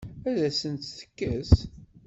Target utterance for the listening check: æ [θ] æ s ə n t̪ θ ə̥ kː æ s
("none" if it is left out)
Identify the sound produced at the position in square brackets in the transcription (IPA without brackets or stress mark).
ð